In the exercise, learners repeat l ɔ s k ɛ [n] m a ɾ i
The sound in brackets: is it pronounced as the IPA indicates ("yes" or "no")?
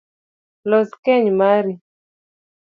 no